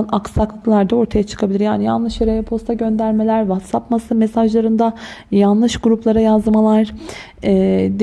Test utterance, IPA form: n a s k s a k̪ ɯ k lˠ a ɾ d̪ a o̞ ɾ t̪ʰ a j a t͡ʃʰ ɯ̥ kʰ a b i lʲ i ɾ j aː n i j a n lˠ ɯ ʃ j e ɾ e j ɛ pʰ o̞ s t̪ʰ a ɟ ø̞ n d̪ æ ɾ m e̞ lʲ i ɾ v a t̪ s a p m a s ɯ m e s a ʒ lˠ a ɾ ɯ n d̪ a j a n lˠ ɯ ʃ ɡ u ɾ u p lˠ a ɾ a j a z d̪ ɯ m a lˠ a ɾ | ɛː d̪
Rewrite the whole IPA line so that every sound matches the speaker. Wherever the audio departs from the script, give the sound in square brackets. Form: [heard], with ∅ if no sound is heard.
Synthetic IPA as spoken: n a [∅] k s a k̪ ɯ k lˠ a ɾ d̪ a o̞ ɾ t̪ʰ a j a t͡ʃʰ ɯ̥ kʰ a b i lʲ i ɾ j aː n i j a n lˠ ɯ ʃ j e ɾ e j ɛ pʰ o̞ s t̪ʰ a ɟ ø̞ n d̪ æ ɾ m e̞ lʲ [æ] ɾ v a t̪ s a p m a s ɯ m e s a ʒ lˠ a ɾ ɯ n d̪ a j a n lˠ ɯ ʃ ɡ u ɾ u p lˠ a ɾ a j a z d̪ ɯ m a lˠ a ɾ | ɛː d̪

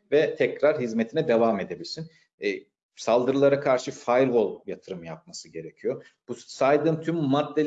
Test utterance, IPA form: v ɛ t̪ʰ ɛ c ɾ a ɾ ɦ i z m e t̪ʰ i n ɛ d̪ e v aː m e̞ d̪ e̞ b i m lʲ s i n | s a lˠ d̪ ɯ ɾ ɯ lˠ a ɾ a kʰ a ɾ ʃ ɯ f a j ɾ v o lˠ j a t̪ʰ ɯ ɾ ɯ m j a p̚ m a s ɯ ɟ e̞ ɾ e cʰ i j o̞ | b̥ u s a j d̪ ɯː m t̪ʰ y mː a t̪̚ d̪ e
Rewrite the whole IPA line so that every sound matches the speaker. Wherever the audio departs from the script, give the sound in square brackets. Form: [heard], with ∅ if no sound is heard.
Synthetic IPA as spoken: v ɛ t̪ʰ ɛ c ɾ a ɾ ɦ i z m e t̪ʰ i n ɛ d̪ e v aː m e̞ d̪ e̞ b i [∅] lʲ s i n | s a lˠ d̪ ɯ ɾ ɯ lˠ a ɾ a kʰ a ɾ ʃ ɯ f a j ɾ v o lˠ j a t̪ʰ ɯ ɾ ɯ m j a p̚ m a s ɯ ɟ e̞ ɾ e cʰ i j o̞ | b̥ u s a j d̪ ɯː m t̪ʰ y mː a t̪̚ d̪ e

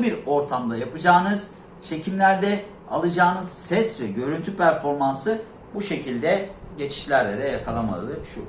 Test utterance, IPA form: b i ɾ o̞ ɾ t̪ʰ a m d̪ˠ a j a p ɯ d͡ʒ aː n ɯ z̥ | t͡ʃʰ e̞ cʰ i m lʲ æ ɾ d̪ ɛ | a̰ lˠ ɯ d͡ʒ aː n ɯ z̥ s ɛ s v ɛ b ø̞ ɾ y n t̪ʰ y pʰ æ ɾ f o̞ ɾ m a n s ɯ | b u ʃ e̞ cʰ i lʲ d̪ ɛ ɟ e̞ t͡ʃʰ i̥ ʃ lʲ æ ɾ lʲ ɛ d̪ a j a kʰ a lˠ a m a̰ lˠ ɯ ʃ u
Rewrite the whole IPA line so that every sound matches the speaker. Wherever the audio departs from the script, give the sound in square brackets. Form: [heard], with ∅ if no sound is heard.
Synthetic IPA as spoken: b i ɾ o̞ ɾ t̪ʰ a m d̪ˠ a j a p ɯ d͡ʒ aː n ɯ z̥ | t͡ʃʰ e̞ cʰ i m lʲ æ ɾ d̪ ɛ | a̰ lˠ ɯ d͡ʒ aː n ɯ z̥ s ɛ s v ɛ [ɟ] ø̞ ɾ y n t̪ʰ y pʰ æ ɾ f o̞ ɾ m a n s ɯ | b u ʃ e̞ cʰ i lʲ d̪ ɛ ɟ e̞ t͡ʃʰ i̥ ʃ lʲ æ ɾ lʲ ɛ d̪ [ɛ] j a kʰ a lˠ a m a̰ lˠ ɯ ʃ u

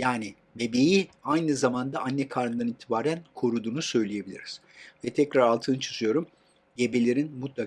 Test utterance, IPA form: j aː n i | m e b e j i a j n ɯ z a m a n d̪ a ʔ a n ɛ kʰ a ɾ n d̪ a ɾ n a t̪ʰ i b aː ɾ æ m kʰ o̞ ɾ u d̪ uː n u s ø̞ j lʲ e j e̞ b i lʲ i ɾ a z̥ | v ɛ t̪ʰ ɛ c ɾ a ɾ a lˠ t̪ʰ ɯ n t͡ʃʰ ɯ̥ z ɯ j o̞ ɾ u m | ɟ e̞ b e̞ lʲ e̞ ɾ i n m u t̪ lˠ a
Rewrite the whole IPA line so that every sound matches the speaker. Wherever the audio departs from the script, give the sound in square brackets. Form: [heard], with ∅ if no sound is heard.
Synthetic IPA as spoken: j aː n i | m e b e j i a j n ɯ z a m a n d̪ a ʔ a [nː] ɛ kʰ a ɾ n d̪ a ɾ n [i] t̪ʰ i b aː ɾ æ [n] kʰ o̞ ɾ u d̪ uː n u s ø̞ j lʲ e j e̞ b i lʲ i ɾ [i] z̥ | v ɛ t̪ʰ ɛ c ɾ a ɾ a lˠ t̪ʰ ɯ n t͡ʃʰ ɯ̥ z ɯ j o̞ ɾ u m | ɟ e̞ b e̞ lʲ e̞ ɾ i n m u t̪ lˠ a

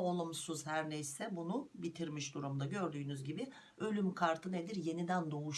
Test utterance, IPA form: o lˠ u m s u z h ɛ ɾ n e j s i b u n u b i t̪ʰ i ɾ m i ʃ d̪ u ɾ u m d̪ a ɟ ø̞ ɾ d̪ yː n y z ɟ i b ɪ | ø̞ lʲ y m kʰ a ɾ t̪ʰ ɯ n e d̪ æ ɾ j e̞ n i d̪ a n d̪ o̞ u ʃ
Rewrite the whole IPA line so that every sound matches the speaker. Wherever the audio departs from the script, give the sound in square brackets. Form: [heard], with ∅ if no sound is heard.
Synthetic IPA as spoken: o lˠ u m s u z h [æ] ɾ n e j s [ɛ] b u n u b i t̪ʰ i ɾ m i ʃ d̪ u ɾ u m d̪ a ɟ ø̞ ɾ d̪ yː n y z ɟ i b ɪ | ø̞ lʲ y m kʰ a ɾ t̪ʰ ɯ n e d̪ [i] ɾ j e̞ n i d̪ [æ] n d̪ o̞ u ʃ

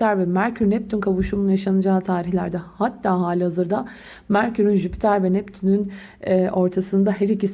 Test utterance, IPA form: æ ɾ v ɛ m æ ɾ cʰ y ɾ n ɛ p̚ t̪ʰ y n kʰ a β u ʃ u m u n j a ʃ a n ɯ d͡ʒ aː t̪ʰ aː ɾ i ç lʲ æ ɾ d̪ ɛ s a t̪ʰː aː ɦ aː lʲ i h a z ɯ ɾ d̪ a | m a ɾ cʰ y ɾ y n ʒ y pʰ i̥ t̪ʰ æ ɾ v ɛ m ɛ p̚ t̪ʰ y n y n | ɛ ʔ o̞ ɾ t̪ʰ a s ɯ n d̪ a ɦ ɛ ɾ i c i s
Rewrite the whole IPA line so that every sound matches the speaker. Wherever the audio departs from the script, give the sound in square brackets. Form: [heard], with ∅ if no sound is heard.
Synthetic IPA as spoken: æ ɾ v ɛ m æ ɾ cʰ y ɾ n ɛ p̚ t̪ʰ y n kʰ a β u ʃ u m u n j a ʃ a n ɯ d͡ʒ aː t̪ʰ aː ɾ i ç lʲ æ ɾ d̪ ɛ [h] a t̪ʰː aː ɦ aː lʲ i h a z ɯ ɾ d̪ a | m [æ] ɾ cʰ y ɾ y n ʒ y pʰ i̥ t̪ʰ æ ɾ v ɛ [n] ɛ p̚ t̪ʰ y n y n | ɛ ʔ o̞ ɾ t̪ʰ a s ɯ n d̪ a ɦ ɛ ɾ i c i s

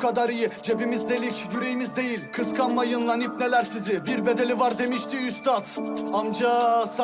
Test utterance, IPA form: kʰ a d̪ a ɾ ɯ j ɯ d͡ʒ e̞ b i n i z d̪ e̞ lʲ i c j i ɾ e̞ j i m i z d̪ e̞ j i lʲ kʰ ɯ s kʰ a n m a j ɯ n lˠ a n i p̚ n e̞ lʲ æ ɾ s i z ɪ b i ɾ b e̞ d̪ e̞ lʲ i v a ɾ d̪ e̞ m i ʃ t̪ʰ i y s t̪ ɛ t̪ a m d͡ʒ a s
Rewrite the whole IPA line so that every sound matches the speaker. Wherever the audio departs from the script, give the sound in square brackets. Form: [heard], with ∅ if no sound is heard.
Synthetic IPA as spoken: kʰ a d̪ a ɾ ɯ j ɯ d͡ʒ e̞ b i [m] i z d̪ e̞ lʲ i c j [y] ɾ e̞ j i m i z d̪ e̞ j i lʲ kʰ ɯ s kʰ a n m a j ɯ n lˠ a n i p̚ n e̞ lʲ æ ɾ s i z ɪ b i ɾ b e̞ d̪ e̞ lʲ i v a ɾ d̪ e̞ m i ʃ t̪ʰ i y s t̪ [a] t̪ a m d͡ʒ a s

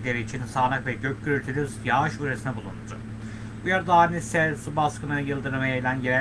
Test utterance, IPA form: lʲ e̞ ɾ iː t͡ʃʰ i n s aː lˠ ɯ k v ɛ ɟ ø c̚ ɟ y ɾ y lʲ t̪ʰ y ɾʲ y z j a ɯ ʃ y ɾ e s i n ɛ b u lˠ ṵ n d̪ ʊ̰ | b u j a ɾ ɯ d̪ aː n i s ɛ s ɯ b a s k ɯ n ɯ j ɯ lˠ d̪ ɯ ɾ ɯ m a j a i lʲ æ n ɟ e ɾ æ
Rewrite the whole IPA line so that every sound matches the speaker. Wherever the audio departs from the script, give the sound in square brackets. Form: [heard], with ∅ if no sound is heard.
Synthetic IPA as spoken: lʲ e̞ ɾ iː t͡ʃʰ i n s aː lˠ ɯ k v ɛ ɟ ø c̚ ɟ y ɾ y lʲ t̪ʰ y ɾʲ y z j a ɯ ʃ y ɾ e s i n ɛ b u lˠ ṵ n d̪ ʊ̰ | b u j a ɾ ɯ d̪ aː n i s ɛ s [u] b a s k ɯ n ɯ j ɯ lˠ d̪ ɯ ɾ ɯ m a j a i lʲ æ n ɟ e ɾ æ

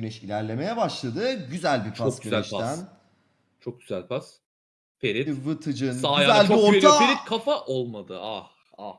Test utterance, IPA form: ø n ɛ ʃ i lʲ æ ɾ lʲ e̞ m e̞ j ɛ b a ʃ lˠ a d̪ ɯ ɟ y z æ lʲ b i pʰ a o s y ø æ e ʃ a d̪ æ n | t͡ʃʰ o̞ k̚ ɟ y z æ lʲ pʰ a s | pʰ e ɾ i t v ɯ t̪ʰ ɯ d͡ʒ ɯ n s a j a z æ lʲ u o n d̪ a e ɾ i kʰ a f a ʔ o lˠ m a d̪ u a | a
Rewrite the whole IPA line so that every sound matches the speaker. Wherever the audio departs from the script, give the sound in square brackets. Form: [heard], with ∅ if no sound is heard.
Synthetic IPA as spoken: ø n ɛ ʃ i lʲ æ ɾ lʲ e̞ m e̞ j ɛ b a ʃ lˠ a d̪ ɯ ɟ y z æ lʲ b i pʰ a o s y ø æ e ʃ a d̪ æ n | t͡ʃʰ o̞ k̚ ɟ y z æ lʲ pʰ a s | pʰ e ɾ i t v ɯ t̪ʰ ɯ d͡ʒ ɯ n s a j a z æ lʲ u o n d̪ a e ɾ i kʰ a f a ʔ o lˠ m a d̪ [ɯ] a | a

